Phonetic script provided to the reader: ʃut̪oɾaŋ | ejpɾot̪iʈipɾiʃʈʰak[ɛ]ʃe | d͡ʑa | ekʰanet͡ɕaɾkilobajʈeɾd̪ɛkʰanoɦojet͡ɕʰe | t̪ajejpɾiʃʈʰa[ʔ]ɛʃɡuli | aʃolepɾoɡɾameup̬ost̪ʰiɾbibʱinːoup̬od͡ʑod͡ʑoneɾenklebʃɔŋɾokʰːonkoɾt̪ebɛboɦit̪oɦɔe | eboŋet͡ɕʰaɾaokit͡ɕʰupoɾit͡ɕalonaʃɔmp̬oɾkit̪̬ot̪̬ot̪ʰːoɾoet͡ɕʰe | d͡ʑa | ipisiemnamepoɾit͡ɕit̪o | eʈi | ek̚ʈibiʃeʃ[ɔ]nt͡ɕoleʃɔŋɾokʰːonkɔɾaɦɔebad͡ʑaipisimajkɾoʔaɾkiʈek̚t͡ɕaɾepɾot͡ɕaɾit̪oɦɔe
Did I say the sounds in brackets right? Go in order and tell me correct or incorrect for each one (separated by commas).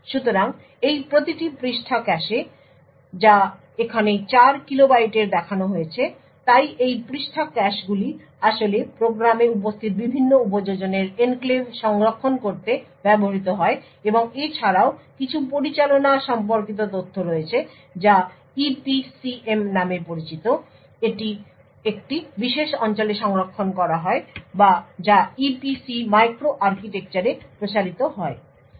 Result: correct, incorrect, correct